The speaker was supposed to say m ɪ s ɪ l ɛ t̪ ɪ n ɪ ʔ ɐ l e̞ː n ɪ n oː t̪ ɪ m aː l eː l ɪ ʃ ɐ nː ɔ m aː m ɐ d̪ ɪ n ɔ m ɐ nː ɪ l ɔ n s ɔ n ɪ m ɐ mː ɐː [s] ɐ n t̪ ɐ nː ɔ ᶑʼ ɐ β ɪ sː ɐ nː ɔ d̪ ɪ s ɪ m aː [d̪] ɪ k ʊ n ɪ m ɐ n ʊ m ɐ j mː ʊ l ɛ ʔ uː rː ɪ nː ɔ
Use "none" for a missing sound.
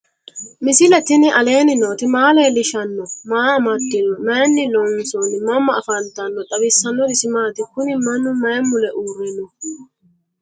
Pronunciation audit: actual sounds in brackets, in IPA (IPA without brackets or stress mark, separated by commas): f, t̪